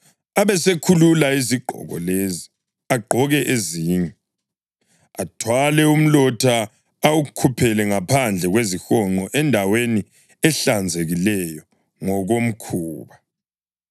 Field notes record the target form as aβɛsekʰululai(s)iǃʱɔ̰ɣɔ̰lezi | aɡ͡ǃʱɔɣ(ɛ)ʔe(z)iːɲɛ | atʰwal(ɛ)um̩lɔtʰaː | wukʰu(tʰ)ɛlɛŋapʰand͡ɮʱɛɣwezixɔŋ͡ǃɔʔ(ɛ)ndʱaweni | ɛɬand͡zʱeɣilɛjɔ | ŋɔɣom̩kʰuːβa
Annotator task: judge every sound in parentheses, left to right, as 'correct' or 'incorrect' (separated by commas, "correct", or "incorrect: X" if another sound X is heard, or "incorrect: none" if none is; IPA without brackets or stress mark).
incorrect: z, correct, correct, correct, incorrect: pʰ, correct